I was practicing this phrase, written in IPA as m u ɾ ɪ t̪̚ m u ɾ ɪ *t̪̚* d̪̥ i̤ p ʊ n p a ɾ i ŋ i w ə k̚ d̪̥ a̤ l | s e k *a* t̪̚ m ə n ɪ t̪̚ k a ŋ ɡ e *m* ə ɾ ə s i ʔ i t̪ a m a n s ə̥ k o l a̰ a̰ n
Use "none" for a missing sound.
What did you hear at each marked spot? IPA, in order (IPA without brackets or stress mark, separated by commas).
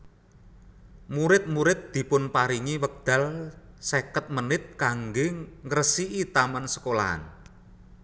t̪̚, ə, ŋ